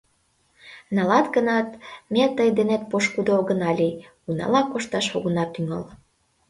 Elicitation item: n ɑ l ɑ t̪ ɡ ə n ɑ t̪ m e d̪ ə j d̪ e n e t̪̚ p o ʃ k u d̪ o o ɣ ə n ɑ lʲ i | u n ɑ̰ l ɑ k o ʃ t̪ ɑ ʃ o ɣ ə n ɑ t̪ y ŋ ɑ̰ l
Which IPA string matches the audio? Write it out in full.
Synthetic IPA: n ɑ l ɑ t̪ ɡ ə n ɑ t̪ m e t̪ ə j d̪ e n e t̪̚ p o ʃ k u d̪ o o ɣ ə n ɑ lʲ i | u n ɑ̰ l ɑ k o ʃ t̪ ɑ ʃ o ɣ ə n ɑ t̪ y ŋ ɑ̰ l

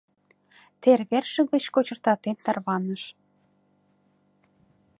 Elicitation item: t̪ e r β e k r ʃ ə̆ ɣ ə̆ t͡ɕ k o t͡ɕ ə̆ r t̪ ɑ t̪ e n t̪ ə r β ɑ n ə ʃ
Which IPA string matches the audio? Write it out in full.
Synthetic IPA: t̪ e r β e r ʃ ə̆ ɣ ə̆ t͡ɕ k o t͡ɕ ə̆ r t̪ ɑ t̪ e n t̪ ɑ r β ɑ n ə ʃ

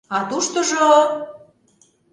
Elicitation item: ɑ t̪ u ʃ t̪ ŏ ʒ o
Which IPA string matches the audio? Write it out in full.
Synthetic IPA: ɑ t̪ u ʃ t̪ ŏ ʒ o

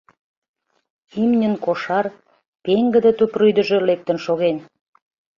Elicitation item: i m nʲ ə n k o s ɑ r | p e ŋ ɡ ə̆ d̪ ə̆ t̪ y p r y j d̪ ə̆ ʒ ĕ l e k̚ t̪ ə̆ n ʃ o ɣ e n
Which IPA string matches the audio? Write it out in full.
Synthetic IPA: i m nʲ ə n k o ʃ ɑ r | p e ŋ ɡ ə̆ d̪ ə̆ t̪ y p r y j d̪ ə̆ ʒ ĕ l e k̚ t̪ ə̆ n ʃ o ɣ e n

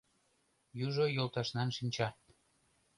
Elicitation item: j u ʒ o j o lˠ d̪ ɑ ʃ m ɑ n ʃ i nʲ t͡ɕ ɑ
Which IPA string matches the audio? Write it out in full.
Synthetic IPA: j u ʒ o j o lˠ t̪ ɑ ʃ n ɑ n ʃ i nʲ t͡ɕ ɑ

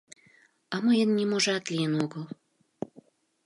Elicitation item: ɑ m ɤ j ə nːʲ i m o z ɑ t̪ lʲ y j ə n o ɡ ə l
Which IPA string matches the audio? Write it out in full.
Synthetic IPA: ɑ m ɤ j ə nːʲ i m o ʒ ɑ t̪ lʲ i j ə n o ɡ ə l

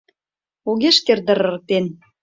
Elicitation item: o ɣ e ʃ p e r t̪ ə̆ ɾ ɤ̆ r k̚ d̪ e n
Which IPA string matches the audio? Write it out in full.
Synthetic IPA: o ɣ e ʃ k e r d̪ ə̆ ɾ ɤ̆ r k̚ t̪ e n

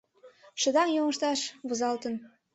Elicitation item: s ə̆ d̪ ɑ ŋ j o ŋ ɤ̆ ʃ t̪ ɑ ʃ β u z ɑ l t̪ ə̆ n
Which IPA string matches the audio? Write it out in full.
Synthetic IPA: ʃ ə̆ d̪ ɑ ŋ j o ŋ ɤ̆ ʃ t̪ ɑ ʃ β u z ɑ l t̪ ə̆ n

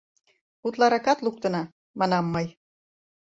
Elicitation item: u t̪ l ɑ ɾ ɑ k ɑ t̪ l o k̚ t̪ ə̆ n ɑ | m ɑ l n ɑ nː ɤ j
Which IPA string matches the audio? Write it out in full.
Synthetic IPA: u t̪ l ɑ ɾ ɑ k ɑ t̪ l u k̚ t̪ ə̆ n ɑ | m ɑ n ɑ mː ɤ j

